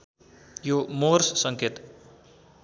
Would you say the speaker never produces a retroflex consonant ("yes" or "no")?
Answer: yes